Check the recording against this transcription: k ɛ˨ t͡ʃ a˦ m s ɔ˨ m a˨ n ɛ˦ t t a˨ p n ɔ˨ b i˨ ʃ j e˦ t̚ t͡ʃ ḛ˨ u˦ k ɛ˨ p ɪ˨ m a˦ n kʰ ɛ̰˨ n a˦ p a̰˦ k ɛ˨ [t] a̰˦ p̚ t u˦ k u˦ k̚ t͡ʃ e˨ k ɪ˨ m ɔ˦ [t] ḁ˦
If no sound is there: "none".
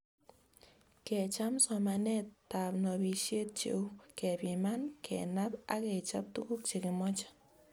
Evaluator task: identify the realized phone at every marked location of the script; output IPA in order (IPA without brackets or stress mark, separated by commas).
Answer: t͡ʃ, t͡ʃ